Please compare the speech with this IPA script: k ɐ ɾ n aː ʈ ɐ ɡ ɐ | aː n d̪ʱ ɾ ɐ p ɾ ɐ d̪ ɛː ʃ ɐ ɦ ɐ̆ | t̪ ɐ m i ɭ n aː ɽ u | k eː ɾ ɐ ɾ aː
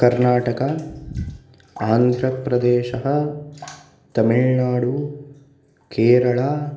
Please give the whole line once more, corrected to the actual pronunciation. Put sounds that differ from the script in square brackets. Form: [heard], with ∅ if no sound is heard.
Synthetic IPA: k ɐ ɾ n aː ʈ ɐ [k] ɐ | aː n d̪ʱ ɾ ɐ p ɾ ɐ d̪ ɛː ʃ ɐ ɦ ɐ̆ | t̪ ɐ m i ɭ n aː ɽ u | k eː ɾ ɐ [ɭ] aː

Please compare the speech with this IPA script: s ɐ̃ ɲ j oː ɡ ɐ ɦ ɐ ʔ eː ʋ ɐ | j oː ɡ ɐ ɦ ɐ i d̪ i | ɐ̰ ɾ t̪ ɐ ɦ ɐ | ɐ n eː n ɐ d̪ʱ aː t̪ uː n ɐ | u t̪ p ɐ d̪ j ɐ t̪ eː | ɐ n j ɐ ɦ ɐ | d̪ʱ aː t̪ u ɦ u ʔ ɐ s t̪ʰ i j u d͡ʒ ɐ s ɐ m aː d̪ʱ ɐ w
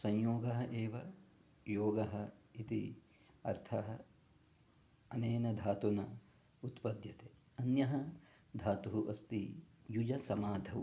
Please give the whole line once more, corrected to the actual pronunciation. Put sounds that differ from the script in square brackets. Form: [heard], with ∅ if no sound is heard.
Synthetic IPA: s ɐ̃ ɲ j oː ɡ ɐ ɦ ɐ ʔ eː ʋ ɐ | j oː ɡ ɐ ɦ ɐ i [t̪] i | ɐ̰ ɾ [t̪ʰ] ɐ ɦ ɐ | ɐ n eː n ɐ d̪ʱ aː t̪ [u] n ɐ | u t̪ p ɐ d̪ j ɐ t̪ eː | ɐ n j ɐ ɦ ɐ | d̪ʱ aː t̪ u ɦ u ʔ ɐ s [t̪] i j u d͡ʒ ɐ s ɐ m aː d̪ʱ ɐ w

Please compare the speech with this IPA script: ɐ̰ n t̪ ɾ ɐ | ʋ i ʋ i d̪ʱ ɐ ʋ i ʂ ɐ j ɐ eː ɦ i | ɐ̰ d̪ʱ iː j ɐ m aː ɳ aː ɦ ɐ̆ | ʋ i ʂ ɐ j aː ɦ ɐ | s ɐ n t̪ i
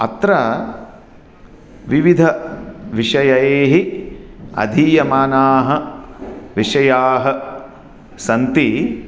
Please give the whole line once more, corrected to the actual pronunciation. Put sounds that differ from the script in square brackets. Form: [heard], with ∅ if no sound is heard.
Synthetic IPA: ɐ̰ [∅] t̪ ɾ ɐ | ʋ i ʋ i d̪ʱ ɐ ʋ i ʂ ɐ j ɐ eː ɦ i | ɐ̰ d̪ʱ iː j ɐ m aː [n] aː ɦ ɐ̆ | ʋ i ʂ ɐ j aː ɦ ɐ | s ɐ n t̪ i

